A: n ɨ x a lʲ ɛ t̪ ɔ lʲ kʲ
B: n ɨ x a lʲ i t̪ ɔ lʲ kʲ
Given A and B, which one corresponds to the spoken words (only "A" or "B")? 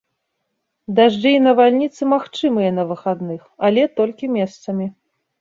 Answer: A